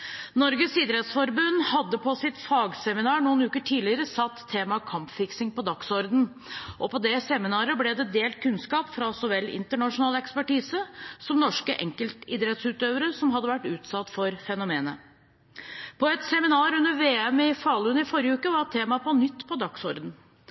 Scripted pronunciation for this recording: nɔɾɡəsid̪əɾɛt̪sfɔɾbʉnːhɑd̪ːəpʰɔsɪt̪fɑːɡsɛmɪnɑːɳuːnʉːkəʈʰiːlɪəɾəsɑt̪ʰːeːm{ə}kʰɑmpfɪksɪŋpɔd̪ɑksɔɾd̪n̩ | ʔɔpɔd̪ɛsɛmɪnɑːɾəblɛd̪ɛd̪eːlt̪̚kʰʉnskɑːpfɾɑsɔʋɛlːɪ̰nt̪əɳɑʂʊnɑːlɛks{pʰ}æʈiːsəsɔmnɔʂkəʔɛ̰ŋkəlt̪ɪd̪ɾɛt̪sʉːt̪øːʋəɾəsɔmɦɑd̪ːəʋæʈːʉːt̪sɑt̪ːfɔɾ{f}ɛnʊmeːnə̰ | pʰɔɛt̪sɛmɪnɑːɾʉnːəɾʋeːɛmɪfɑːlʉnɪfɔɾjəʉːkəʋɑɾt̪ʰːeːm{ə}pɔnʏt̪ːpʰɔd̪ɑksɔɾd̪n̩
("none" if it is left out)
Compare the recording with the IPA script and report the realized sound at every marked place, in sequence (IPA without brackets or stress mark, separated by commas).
ɑ, p, f, ɑ